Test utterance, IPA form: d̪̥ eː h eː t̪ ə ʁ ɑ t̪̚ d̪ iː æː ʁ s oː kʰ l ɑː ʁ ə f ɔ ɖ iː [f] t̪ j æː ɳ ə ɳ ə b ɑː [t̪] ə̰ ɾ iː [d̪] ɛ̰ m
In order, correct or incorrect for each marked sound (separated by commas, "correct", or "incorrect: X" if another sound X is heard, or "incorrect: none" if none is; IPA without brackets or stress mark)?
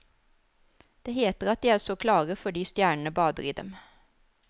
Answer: incorrect: s, incorrect: d̪, correct